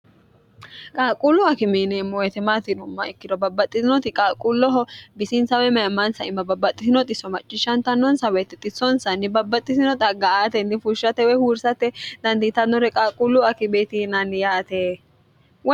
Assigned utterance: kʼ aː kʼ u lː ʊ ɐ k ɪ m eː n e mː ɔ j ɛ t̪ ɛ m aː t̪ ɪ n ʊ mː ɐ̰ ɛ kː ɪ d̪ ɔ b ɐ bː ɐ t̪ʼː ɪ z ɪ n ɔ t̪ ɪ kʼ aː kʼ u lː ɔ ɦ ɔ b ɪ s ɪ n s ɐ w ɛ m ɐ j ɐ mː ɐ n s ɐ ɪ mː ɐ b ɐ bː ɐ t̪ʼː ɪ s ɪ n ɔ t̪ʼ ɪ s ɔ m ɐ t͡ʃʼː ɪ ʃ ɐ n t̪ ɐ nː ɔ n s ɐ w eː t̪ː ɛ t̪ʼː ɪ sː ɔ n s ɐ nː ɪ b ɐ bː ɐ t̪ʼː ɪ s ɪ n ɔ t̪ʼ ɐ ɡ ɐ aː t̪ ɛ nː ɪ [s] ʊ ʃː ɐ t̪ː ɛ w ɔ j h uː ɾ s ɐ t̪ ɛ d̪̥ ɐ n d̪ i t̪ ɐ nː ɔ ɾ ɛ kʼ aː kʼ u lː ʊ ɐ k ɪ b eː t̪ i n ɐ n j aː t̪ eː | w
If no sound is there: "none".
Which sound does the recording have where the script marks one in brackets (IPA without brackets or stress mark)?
f